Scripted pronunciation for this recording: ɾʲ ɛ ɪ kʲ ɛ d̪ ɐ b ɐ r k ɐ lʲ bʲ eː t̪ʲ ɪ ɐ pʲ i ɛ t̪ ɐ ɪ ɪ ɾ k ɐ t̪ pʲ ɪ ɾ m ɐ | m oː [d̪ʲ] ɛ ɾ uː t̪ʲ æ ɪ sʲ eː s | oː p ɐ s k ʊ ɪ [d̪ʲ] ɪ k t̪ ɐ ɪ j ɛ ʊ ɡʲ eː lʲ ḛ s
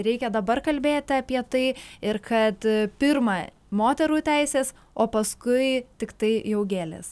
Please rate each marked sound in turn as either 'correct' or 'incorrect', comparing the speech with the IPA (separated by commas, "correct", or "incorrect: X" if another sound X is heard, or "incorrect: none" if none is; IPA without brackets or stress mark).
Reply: incorrect: t̪ʲ, incorrect: t̪ʲ